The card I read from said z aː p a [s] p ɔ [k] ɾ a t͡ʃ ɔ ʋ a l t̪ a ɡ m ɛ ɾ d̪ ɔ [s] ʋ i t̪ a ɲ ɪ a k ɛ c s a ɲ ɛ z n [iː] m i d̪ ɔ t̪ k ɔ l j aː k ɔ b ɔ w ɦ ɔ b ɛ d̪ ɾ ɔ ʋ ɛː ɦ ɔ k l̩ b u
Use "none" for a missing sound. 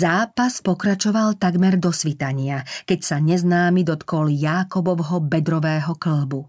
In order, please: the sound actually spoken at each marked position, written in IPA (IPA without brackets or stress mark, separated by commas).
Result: s, k, s, aː